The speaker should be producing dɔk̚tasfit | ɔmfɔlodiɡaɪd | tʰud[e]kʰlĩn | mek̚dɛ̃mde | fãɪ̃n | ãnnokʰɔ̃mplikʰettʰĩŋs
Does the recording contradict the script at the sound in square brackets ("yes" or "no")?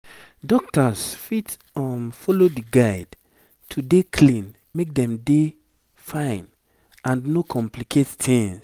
no